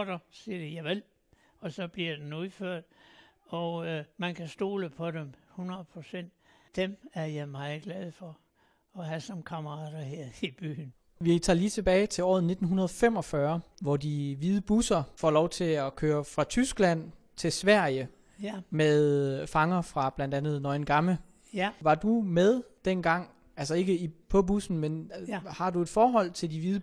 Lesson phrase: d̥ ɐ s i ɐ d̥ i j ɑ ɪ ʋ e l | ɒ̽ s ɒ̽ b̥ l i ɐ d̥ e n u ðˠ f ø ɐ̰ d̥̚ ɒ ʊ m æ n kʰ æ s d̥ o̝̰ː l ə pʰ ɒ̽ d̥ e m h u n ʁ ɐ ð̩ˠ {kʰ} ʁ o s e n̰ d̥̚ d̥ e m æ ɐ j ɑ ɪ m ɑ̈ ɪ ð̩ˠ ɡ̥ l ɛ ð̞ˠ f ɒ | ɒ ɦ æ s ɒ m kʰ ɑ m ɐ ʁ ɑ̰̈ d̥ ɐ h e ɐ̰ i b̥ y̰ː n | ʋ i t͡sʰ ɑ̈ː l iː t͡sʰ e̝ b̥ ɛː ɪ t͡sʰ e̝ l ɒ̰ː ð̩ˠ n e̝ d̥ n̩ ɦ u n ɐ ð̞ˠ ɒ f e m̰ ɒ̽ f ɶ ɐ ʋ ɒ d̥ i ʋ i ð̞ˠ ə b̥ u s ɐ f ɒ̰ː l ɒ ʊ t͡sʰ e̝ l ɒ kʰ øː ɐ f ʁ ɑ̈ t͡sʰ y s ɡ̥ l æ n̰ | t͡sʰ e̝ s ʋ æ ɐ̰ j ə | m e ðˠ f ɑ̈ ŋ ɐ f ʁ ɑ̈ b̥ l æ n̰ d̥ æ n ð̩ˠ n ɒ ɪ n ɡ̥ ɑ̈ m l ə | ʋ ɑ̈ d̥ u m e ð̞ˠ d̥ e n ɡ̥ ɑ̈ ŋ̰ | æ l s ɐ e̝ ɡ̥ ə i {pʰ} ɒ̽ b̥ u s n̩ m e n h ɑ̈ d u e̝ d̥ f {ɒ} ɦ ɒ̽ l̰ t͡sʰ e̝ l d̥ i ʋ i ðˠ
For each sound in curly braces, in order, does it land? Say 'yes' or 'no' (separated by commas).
no, yes, no